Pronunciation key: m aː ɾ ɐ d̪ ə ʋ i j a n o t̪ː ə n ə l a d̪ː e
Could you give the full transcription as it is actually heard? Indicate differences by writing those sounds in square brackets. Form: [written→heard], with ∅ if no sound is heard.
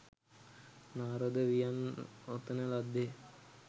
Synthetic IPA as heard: [m→n] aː ɾ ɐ d̪ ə ʋ i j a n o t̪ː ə n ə l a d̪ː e